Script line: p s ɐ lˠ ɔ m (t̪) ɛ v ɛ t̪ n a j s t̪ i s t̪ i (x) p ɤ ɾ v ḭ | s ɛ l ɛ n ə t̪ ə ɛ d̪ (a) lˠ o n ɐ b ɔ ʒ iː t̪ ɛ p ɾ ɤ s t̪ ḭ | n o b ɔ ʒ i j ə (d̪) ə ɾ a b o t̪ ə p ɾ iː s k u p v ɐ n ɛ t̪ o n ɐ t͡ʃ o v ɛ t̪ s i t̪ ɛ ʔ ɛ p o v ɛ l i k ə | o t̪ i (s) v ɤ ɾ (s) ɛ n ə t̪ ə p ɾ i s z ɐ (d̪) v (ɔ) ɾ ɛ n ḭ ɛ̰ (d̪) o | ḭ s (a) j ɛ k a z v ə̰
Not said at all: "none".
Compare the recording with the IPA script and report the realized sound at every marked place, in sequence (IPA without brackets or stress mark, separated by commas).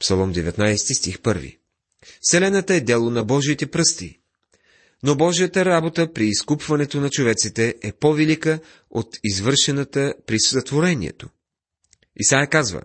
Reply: d̪, x, ɛ, t̪, z, ʃ, t̪, o, t̪, a